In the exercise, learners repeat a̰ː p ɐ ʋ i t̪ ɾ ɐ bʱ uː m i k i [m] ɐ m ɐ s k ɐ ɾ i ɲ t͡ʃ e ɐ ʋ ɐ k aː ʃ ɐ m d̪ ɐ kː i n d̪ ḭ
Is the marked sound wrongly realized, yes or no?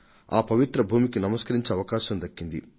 yes